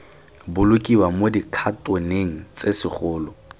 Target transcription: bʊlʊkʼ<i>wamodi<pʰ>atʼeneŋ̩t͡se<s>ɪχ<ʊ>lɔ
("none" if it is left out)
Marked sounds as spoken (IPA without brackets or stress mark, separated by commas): i, kʰ, s, ʊː